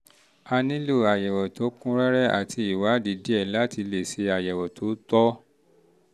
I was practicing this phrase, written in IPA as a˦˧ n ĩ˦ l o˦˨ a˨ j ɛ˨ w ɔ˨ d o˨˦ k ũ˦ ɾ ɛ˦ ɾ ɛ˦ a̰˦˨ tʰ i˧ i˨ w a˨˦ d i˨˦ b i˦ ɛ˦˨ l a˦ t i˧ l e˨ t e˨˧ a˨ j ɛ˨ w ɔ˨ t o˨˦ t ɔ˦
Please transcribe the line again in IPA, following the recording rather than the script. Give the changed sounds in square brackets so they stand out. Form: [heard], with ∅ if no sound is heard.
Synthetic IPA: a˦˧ n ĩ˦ l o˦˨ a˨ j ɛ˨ w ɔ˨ [t] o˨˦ k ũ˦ ɾ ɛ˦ ɾ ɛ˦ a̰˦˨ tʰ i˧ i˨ w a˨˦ d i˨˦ [d] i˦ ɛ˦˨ l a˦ t i˧ l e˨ [s] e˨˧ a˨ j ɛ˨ w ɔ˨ t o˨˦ t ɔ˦